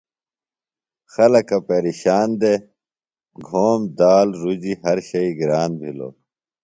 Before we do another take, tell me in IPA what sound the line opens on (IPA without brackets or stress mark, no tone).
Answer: x